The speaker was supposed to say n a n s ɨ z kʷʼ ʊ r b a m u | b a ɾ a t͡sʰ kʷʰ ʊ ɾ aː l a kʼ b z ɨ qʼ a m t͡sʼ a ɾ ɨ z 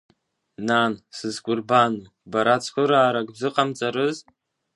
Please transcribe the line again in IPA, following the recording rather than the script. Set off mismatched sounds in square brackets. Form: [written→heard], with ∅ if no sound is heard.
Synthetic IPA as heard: n a n s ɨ z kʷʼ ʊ r b a [m→n] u | b a ɾ a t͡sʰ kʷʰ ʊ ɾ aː [l→ɾ] a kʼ b z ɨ qʼ a m t͡sʼ a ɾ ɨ z

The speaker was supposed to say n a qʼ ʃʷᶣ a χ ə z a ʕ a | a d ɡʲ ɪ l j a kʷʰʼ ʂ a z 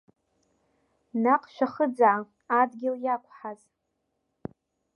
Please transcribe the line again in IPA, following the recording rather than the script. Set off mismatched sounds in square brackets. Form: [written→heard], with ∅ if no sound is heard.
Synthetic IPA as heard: n a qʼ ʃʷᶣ a χ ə [z→d͡z] a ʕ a | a d ɡʲ ɪ l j a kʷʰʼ [ʂ→ħ] a z

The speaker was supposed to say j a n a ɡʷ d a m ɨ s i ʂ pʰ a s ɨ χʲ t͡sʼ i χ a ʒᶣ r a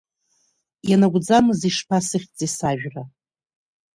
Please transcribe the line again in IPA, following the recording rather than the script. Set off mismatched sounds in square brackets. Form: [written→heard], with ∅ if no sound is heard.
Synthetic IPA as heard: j a n a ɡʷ [d→d͡z] a m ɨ [s→z] i ʂ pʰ a s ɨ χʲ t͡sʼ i [χ→s] a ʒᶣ r a

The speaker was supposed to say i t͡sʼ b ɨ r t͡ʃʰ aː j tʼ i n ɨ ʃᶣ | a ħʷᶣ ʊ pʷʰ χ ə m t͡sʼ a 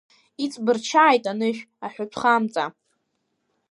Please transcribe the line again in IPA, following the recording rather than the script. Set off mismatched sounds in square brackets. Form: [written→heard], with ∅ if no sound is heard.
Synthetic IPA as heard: i t͡sʼ b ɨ r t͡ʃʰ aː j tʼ [i→a] n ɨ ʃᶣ | a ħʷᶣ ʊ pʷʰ χ [ə→a] m t͡sʼ a

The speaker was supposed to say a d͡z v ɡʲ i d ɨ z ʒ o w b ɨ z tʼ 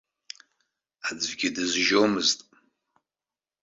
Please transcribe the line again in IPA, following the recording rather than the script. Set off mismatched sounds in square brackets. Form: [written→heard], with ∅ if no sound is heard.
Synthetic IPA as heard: a d͡z v ɡʲ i d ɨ z ʒ o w [b→m] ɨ z tʼ

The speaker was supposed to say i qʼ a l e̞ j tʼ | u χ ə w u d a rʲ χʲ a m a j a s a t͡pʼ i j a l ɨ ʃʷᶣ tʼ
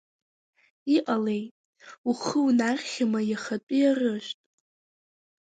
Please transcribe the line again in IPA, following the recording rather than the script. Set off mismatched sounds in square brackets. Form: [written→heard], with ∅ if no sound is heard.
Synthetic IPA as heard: i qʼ a l e̞ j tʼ | u χ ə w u [d→n] a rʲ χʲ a m a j a [s→χ] a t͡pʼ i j a [l→r] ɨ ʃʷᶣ tʼ

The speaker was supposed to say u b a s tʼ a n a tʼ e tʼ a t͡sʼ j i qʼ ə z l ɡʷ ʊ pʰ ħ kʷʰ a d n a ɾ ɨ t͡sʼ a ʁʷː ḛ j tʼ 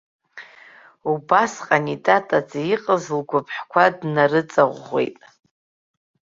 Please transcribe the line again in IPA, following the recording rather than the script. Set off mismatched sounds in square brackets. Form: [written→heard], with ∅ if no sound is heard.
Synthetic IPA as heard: u b a s [tʼ→qʼ] a n [a→i] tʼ [e→a] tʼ a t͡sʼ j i qʼ ə z l ɡʷ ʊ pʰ ħ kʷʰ a d n a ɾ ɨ t͡sʼ a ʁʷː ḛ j tʼ

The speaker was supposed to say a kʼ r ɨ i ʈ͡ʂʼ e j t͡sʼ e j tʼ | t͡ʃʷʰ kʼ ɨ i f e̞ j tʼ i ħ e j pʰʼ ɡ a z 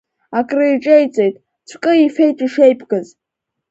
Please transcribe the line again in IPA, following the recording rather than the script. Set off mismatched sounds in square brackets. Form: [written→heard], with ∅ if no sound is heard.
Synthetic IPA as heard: a kʼ r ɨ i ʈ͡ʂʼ e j t͡sʼ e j tʼ | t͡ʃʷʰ kʼ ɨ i f e̞ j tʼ i [ħ→ʂ] e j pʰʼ ɡ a z

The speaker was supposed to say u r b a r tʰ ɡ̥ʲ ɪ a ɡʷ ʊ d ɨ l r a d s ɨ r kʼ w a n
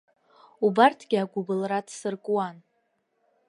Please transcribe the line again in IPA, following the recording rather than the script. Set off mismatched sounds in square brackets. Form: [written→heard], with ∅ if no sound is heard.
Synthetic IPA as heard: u [r→∅] b a r tʰ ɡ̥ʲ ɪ a ɡʷ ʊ [d→b] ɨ l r a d s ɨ r kʼ w a n

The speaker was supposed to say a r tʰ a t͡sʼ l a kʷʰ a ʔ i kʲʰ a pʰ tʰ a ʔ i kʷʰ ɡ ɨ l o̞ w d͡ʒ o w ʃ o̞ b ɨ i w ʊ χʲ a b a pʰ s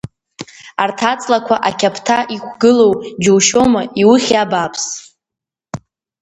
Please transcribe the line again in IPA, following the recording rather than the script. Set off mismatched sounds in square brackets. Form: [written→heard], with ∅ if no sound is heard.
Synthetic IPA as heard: a r tʰ a t͡sʼ l a kʷʰ a ʔ [i→a] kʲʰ a pʰ tʰ a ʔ i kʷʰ ɡ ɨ l o̞ w d͡ʒ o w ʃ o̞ [b→m] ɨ i w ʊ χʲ a b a pʰ s

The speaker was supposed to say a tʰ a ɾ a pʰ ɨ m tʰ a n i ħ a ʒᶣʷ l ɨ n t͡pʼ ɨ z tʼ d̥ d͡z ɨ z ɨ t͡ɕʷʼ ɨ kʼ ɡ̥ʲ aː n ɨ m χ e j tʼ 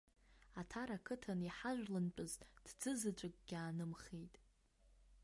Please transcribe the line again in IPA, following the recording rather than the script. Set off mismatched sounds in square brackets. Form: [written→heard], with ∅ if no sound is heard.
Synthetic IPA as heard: a tʰ a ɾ a [pʰ→kʰ] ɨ [m→∅] tʰ a n i ħ a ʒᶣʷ l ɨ n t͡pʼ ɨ z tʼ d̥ d͡z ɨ z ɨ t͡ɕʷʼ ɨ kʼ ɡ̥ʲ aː n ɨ m χ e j tʼ

